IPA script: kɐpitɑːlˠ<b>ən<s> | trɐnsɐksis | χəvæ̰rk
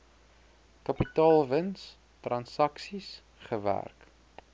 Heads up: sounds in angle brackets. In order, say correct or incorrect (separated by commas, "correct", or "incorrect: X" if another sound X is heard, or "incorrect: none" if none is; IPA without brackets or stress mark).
incorrect: v, correct